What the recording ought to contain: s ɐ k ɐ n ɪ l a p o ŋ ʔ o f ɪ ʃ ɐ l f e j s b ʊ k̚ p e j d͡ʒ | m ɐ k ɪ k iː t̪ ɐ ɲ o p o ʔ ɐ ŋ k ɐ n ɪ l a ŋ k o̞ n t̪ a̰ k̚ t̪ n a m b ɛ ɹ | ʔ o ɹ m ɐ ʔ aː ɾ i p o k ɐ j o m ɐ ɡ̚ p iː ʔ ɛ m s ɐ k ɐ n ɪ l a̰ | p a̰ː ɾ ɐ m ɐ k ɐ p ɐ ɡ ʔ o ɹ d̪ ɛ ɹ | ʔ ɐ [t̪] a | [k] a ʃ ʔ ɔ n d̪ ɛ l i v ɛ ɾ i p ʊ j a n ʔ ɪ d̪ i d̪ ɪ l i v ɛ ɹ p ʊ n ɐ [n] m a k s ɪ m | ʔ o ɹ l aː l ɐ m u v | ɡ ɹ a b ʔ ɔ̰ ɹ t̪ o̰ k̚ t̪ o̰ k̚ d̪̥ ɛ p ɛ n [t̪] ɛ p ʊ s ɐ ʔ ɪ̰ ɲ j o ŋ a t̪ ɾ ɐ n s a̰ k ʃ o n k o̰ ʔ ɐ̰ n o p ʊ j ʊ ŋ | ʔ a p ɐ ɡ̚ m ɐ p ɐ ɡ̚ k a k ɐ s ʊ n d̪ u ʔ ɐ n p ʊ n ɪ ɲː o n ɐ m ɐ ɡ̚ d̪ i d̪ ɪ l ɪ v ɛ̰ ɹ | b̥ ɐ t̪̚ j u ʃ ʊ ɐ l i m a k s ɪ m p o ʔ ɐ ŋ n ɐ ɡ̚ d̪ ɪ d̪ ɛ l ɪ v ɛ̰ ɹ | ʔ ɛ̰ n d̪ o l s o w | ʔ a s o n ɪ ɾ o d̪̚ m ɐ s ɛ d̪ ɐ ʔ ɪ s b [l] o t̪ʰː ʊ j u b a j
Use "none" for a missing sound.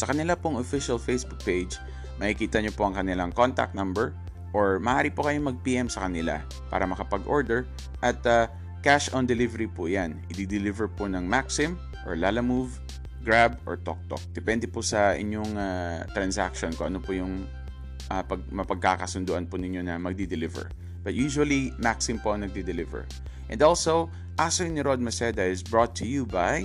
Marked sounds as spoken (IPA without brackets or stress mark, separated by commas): t̪, k, ŋ, d̪, ɹ